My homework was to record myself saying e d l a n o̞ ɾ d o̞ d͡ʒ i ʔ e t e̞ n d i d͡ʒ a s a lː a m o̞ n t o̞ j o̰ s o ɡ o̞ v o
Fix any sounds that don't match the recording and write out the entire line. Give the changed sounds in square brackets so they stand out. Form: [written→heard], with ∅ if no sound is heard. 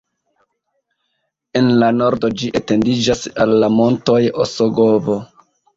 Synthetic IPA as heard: e [d→n] l a n o̞ ɾ d o̞ d͡ʒ i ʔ e t e̞ n d i d͡ʒ a s a lː a m o̞ n t o̞ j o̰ s o ɡ o̞ v o